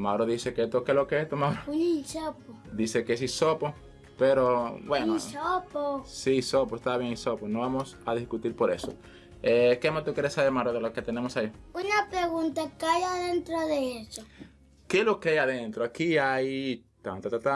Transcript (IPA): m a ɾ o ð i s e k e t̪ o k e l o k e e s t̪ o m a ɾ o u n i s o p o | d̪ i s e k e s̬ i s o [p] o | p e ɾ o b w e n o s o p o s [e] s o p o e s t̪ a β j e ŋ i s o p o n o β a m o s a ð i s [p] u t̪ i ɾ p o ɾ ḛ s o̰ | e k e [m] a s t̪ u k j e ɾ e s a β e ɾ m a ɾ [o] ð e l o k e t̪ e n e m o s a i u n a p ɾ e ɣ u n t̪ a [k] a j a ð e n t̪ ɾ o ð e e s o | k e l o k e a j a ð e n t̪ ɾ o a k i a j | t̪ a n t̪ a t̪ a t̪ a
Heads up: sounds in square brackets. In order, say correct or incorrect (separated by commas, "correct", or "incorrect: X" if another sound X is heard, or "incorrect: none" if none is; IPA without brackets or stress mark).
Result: correct, incorrect: i, incorrect: k, correct, correct, correct